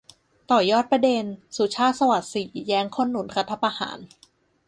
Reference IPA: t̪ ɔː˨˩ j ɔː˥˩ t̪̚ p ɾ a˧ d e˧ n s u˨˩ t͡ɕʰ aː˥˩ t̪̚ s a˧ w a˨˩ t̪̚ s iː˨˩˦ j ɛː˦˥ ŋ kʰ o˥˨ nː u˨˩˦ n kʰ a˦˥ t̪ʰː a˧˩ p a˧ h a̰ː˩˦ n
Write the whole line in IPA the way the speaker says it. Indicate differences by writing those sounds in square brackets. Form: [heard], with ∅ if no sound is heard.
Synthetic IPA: t̪ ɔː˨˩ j ɔː˥˩ t̪̚ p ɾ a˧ d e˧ n s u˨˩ t͡ɕʰ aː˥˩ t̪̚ s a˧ w a˨˩ t̪̚ s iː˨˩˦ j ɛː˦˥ ŋ kʰ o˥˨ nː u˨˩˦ n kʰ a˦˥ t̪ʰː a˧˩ p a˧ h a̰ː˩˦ n